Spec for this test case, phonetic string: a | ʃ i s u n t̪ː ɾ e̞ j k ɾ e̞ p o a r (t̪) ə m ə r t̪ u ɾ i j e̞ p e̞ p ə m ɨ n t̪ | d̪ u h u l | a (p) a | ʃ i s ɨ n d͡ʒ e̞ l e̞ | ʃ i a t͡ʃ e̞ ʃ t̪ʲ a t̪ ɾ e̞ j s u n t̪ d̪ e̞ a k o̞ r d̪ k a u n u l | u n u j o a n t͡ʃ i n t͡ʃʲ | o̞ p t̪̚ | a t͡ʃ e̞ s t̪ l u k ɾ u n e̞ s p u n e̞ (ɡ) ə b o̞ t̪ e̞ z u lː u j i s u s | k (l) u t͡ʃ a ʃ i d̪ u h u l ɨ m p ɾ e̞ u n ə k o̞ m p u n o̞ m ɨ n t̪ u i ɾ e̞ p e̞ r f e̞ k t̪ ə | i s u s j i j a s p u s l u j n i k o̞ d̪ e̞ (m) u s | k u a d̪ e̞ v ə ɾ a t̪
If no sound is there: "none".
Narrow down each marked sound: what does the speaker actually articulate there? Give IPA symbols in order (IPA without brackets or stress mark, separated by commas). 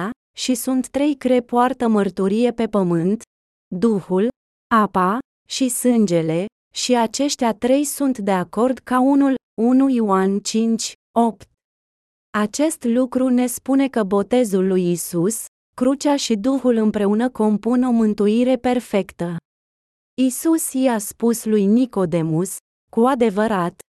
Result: t̪, p, k, ɾ, m